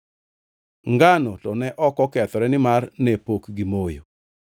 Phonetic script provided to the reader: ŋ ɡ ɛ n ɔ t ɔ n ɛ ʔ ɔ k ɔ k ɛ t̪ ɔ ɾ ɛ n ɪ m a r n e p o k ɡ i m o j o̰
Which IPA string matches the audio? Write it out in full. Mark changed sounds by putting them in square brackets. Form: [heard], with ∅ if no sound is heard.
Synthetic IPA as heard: ŋ ɡ [a] n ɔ t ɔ n ɛ ʔ ɔ k ɔ k ɛ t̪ ɔ ɾ ɛ n ɪ m a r n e p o k ɡ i m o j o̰